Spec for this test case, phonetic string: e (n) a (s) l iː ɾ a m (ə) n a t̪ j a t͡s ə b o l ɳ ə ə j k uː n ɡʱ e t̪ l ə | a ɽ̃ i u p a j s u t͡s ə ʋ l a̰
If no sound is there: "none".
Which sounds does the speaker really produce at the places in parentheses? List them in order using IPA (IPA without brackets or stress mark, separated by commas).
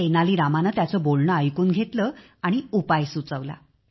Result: n, none, a